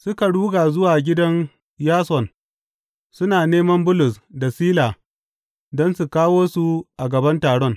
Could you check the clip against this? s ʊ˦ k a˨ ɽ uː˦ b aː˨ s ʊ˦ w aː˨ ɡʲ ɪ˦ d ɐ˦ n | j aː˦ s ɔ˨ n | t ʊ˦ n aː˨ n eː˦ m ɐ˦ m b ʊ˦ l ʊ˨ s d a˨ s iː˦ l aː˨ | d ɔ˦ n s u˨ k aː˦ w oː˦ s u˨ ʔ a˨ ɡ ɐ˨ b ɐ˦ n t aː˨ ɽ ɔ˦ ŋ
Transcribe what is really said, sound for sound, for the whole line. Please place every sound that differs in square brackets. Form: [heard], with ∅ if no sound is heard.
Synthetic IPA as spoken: s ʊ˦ k a˨ ɽ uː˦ [ɡ] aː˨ [z] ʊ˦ w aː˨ ɡʲ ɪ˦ d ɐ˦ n | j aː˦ s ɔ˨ n | [s] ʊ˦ n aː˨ n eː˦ m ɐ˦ m b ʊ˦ l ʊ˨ s d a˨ s iː˦ l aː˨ | d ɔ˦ n s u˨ k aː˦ w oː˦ s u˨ ʔ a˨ ɡ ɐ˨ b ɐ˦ n t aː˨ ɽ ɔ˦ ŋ